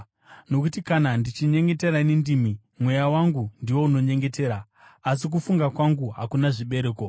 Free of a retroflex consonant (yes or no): no